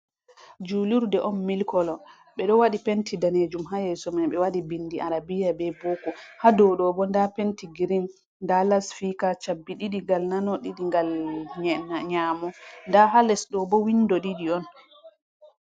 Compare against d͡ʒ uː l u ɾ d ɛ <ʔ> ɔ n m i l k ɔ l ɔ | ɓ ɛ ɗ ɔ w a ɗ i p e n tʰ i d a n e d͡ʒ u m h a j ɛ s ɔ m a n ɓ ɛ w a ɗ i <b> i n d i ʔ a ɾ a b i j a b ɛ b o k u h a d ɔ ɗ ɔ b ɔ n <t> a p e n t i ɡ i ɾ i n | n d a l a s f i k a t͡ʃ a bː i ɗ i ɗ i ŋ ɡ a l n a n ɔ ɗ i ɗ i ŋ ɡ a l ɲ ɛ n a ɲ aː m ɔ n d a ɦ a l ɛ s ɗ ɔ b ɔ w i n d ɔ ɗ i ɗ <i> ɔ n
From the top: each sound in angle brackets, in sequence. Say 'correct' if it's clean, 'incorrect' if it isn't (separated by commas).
correct, correct, incorrect, correct